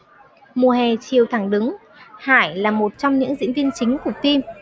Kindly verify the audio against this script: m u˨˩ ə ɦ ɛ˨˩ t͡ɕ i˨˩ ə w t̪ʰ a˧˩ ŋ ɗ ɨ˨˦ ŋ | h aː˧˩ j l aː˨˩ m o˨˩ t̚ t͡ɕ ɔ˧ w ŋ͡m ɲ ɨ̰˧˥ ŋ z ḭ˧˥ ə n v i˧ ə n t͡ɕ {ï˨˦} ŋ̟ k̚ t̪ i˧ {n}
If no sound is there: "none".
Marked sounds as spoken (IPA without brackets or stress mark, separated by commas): ï˨˦, m